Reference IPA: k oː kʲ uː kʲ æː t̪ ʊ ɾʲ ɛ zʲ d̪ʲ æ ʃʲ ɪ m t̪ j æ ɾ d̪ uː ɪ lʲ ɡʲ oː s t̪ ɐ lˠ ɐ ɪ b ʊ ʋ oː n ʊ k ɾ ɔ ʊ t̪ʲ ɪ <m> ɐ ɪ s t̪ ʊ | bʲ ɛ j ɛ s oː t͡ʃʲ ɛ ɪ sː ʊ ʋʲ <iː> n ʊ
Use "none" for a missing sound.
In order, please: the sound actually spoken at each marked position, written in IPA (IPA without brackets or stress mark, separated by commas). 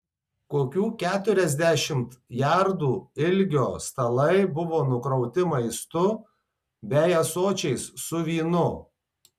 m, iː